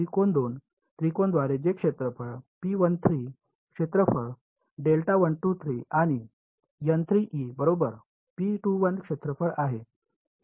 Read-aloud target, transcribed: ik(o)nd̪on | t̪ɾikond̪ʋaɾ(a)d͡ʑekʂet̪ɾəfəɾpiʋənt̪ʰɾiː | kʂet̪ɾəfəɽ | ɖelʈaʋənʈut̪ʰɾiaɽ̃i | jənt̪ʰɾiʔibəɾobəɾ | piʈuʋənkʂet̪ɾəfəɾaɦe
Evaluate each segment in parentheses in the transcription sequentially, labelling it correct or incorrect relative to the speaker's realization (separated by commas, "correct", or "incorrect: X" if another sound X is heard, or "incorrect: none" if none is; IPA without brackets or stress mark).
correct, incorrect: e